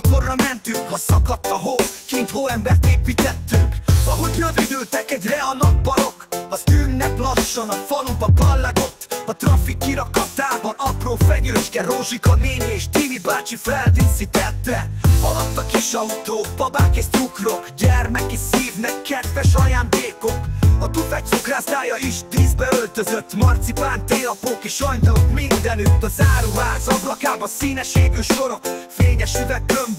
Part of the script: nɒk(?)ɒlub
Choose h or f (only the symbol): f